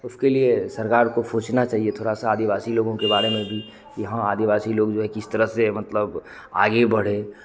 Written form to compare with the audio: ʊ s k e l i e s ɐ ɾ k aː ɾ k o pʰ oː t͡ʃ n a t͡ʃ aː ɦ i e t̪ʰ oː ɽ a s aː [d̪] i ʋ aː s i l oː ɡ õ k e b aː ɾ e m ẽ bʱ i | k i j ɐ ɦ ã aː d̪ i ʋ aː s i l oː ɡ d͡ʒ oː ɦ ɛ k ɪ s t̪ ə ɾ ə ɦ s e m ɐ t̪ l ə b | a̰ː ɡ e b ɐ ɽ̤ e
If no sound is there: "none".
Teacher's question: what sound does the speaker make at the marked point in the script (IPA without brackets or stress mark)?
d̪